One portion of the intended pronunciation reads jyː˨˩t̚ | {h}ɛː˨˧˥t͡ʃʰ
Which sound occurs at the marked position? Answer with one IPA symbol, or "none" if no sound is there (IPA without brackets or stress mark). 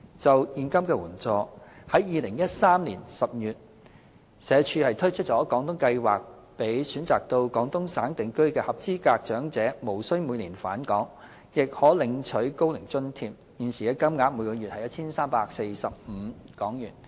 s